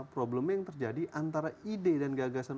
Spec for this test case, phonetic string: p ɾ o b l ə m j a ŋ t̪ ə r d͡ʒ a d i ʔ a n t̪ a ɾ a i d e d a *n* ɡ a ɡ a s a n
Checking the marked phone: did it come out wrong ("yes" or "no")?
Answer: no